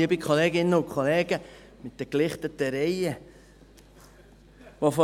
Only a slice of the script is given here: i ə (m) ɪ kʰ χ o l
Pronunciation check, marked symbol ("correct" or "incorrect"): incorrect